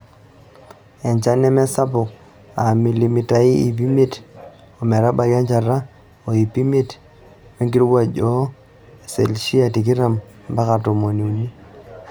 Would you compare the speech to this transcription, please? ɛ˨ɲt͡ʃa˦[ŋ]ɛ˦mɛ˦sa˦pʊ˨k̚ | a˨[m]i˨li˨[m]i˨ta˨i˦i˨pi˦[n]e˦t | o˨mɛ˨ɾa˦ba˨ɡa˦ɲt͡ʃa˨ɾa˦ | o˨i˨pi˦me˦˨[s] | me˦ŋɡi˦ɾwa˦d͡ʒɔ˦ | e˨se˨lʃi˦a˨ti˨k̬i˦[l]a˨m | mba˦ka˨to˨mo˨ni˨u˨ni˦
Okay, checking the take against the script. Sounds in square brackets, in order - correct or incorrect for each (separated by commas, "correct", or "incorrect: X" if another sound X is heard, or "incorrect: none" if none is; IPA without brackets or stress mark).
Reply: incorrect: n, correct, correct, incorrect: m, incorrect: t, incorrect: ɾ